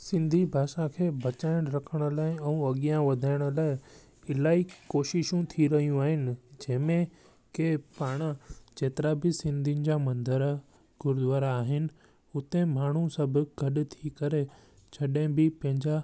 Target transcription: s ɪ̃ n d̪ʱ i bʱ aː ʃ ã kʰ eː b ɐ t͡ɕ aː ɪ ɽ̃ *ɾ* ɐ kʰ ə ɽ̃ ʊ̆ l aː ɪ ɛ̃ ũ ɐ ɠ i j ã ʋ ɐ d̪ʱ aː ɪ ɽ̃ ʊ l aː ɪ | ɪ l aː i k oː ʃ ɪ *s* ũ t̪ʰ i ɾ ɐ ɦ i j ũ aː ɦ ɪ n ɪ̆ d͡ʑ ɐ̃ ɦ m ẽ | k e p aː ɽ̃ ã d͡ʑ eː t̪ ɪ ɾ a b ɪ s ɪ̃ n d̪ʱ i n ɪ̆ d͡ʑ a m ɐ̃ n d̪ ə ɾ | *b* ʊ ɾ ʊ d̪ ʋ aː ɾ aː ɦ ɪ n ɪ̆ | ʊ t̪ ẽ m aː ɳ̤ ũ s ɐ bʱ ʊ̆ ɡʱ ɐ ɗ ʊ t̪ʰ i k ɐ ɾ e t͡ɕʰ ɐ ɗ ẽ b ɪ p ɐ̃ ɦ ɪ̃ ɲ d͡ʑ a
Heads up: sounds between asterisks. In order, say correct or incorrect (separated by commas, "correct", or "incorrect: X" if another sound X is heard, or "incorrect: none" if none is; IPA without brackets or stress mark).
correct, incorrect: ʃ, incorrect: ɡ